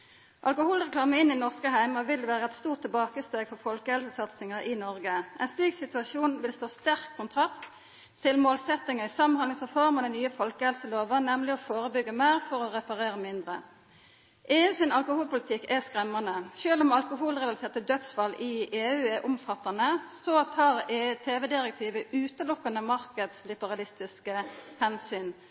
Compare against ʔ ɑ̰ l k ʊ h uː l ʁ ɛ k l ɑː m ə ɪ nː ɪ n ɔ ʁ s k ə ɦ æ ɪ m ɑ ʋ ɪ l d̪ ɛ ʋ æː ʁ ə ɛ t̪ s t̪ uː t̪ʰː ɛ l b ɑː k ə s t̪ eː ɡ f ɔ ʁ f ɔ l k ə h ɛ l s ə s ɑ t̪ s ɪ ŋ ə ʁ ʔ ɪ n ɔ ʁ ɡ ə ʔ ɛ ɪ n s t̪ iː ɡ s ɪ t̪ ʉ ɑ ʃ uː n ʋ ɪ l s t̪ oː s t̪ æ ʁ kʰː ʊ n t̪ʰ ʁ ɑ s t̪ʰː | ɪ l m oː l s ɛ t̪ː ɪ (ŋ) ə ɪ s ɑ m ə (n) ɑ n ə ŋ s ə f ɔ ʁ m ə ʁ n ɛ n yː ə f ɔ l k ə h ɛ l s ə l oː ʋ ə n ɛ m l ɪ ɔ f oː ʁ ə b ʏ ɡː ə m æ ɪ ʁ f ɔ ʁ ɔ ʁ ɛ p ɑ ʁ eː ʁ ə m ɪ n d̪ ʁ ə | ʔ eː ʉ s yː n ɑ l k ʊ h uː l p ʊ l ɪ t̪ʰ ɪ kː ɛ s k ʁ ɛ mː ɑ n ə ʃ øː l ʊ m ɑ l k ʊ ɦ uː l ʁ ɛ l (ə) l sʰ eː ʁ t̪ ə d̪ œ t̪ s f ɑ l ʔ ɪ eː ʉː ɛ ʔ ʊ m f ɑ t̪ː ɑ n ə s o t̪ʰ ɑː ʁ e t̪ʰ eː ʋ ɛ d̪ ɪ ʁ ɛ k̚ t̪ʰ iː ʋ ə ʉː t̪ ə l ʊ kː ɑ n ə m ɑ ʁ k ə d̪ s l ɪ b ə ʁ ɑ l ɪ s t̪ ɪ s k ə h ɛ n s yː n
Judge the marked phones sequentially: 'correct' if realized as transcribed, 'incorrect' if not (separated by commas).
correct, correct, incorrect